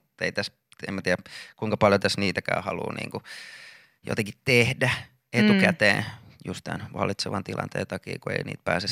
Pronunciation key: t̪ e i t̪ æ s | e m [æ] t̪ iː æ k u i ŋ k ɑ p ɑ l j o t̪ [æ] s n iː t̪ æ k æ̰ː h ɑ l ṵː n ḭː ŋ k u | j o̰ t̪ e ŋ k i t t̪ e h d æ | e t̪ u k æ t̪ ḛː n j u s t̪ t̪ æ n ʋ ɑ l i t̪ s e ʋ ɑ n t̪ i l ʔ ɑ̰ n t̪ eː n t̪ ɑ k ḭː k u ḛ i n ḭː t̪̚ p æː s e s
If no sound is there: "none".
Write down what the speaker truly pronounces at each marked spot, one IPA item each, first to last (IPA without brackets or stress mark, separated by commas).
æ, æ